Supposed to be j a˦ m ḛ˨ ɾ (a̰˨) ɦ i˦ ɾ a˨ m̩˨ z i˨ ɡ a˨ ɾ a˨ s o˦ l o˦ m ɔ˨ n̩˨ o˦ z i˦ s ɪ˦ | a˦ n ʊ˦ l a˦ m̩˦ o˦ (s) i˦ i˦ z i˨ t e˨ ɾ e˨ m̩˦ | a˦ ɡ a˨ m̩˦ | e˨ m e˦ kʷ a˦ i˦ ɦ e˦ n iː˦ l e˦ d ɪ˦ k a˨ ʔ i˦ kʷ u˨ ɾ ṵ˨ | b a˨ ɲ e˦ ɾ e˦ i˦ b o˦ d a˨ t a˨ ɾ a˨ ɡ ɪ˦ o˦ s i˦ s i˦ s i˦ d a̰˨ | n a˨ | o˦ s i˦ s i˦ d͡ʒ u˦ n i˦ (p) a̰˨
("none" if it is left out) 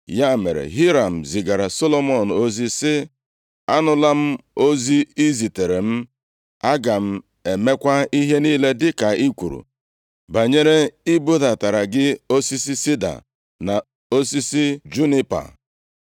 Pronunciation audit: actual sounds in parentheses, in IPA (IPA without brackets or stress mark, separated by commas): ḛ˨, z, p